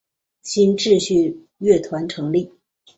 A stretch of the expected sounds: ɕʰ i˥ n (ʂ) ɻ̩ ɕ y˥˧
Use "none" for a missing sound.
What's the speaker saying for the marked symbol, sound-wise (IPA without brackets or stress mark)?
ʈ͡ʂ